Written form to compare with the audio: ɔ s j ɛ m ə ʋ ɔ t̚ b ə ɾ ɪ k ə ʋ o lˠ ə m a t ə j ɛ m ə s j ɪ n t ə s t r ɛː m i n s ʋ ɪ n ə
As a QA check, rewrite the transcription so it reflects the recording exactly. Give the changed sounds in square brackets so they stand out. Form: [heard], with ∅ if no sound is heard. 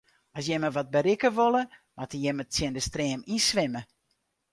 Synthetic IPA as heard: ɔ s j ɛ m ə ʋ ɔ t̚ b ə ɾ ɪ k ə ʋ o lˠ ə m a t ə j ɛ m ə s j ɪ n [d] ə s t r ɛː m i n s ʋ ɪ [m] ə